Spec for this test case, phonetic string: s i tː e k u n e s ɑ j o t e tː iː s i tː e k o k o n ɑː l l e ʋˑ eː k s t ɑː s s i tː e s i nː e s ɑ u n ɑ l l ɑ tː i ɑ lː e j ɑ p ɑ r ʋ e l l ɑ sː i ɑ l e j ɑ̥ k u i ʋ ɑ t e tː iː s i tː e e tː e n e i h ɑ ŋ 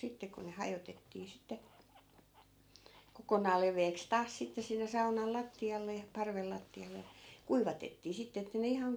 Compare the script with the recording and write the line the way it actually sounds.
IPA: s i tː e k u n e h ɑ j o t e tː iː s i tː e k o k o n ɑː l l e ʋˑ eː k s t ɑː s s i tː e s i nː e s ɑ u n ɑ l l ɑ tː i ɑ lː e j ɑ p ɑ r ʋ e l l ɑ tː i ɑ l e j ɑ̥ k u i ʋ ɑ t e tː iː s i tː e e tː æ n e i h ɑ ŋ